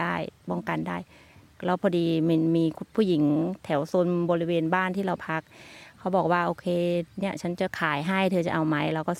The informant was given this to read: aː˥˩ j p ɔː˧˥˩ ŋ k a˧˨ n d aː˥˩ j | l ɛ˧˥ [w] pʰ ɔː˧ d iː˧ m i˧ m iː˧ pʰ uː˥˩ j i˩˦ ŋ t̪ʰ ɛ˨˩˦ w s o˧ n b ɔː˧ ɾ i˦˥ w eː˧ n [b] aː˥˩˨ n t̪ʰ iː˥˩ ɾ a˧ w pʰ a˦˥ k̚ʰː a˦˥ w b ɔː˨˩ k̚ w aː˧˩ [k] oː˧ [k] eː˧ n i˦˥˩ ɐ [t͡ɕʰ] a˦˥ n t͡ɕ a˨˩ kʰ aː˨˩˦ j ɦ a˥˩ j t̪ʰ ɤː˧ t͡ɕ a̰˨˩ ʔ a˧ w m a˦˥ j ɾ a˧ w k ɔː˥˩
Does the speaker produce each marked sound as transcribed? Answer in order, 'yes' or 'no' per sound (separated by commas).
yes, yes, no, no, yes